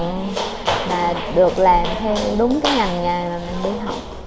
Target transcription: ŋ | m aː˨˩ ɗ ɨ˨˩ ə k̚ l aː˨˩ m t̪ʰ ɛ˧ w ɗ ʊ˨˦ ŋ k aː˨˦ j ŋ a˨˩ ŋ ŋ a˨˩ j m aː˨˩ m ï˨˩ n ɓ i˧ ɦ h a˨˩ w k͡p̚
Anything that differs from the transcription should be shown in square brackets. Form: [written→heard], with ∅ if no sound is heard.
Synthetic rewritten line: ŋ | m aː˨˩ ɗ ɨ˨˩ ə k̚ l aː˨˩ m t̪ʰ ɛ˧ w ɗ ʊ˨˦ [ŋ→ŋ͡m] k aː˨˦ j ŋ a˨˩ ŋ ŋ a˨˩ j m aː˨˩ m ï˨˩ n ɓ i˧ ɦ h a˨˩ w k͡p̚